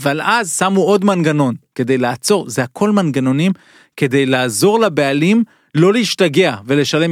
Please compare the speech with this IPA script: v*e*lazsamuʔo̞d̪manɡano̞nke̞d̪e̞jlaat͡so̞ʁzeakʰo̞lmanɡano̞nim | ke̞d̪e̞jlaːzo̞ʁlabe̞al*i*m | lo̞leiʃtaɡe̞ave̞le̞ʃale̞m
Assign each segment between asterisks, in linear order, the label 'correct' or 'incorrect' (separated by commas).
incorrect, correct